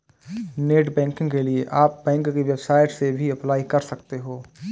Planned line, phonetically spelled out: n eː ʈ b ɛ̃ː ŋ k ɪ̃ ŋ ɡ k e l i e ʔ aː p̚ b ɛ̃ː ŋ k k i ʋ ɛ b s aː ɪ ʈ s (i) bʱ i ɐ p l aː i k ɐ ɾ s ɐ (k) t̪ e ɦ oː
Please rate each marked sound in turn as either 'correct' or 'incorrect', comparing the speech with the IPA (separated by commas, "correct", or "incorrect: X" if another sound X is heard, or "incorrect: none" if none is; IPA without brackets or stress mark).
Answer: incorrect: e, correct